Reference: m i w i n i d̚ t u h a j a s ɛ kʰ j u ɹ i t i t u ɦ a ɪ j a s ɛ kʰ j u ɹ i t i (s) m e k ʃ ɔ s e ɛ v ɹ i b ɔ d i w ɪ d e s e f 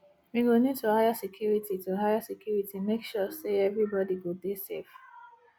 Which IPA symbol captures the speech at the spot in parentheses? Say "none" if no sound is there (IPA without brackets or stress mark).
none